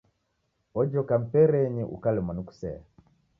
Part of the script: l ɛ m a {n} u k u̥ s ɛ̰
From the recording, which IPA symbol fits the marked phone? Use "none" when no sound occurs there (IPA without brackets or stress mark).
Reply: n